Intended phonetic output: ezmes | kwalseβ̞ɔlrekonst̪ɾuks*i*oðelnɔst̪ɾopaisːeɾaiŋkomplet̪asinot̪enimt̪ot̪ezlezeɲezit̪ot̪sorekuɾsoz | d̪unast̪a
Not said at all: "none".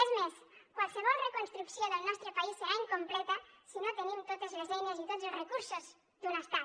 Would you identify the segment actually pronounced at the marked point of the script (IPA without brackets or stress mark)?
j